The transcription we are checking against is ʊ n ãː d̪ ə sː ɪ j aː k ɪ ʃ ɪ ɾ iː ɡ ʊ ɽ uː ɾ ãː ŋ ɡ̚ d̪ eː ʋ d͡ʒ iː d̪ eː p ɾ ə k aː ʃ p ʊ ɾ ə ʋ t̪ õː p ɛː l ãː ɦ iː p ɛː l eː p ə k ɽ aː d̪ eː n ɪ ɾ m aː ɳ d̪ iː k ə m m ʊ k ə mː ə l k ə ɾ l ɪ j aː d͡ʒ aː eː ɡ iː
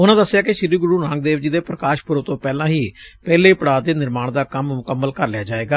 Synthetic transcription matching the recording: ʊ n ãː d̪ ə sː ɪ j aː k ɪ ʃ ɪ ɾ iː ɡ ʊ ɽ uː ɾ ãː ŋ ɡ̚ d̪ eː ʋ d͡ʒ iː d̪ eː p ɾ ə k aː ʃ p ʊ ɾ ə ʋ t̪ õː p ɛː l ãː ɦ iː p ɛː l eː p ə ɽ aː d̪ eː n ɪ ɾ m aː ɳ d̪ aː k ə m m ʊ k ə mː ə l k ə ɾ l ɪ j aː d͡ʒ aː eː ɡ aː

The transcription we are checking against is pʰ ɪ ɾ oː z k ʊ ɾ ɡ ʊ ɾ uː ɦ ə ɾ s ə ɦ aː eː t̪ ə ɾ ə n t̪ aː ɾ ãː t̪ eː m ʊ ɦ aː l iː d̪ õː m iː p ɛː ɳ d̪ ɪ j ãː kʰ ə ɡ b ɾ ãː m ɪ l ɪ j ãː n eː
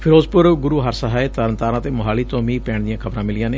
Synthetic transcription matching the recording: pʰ ɪ ɾ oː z p ʊ ɾ ɡ ʊ ɾ uː ɦ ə ɾ s ə ɦ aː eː t̪ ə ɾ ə n t̪ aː ɾ ãː t̪ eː m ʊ ɦ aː l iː t̪ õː m iː p ɛː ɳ d̪ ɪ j ãː kʰ ə b ɾ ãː m ɪ l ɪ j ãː n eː

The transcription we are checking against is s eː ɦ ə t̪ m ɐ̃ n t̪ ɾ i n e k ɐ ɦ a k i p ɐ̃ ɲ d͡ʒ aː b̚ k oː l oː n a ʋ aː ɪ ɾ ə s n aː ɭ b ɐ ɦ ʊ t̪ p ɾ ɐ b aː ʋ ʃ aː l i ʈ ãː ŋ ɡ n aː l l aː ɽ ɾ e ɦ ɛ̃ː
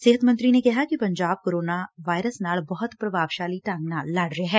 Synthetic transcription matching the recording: s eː ɦ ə t̪ m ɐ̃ n t̪ ɾ i n e k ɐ ɦ a k i p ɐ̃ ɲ d͡ʒ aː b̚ k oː ɾ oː n a ʋ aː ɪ ɾ ə s n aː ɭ b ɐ ɦ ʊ t̪ p ɾ ɐ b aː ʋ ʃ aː l i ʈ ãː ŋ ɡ n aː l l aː ɽ ɾ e ɦ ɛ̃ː

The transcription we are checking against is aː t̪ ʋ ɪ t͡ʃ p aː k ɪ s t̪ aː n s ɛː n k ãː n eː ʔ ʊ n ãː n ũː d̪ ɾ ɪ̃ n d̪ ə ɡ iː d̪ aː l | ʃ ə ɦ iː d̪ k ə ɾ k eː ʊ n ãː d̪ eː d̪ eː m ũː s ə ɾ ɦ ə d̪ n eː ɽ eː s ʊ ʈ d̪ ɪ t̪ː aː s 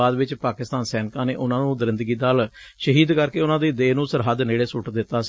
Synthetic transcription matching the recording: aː d̪ ʋ ɪ t͡ʃ p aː k ɪ s t̪ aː n s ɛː n k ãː n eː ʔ ʊ n ãː n ũː d̪ ɾ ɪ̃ n d̪ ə ɡ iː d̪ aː l | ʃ ə ɦ iː d̪ k ə ɾ k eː ʊ n ãː d̪ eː d̪ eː n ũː s ə ɾ ɦ ə d̪ n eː ɽ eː s ʊ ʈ d̪ ɪ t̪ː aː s

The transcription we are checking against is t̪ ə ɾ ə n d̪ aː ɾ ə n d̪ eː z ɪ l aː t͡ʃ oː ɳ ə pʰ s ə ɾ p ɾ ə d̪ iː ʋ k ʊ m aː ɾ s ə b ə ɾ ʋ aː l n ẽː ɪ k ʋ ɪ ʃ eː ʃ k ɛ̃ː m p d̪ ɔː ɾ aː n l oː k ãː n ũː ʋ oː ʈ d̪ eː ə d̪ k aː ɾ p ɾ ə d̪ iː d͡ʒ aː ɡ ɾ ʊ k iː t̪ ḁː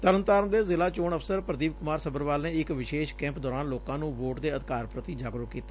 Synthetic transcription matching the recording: t̪ ə ɾ ə n t̪ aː ɾ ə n d̪ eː z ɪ l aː t͡ʃ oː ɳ ə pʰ s ə ɾ p ɾ ə d̪ iː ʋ k ʊ m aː ɾ s ə b ə ɾ ʋ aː l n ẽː ɪ k ʋ ɪ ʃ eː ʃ k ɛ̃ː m p d̪ ɔː ɾ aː n l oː k ãː n ũː ʋ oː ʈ d̪ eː ə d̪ k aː ɾ p ɾ ə t̪ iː d͡ʒ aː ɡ ɾ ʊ k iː t̪ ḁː

